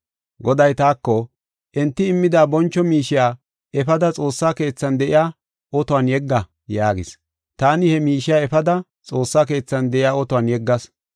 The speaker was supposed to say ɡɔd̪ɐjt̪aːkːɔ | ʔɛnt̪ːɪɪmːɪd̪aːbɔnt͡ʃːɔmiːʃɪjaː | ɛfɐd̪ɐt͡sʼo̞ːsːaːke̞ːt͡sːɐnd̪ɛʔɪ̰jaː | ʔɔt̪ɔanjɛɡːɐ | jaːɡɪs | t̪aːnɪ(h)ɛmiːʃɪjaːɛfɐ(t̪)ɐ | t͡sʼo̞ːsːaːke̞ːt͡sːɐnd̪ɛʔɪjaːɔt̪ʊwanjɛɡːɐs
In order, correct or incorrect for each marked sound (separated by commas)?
correct, incorrect